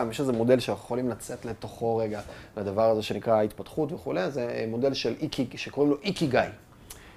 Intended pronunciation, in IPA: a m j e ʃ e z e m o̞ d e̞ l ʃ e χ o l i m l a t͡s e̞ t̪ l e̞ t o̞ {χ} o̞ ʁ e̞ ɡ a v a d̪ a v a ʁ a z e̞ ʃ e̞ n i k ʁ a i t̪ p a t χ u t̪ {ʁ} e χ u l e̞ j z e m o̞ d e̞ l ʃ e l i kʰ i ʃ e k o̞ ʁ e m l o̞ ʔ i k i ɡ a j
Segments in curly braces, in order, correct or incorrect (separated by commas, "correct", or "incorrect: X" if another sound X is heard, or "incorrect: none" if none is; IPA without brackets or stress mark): correct, incorrect: v